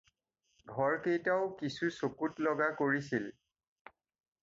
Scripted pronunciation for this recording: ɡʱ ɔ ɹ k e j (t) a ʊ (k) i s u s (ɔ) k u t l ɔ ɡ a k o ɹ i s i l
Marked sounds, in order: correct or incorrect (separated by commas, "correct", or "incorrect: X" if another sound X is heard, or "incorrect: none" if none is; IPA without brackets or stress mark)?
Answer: correct, correct, incorrect: o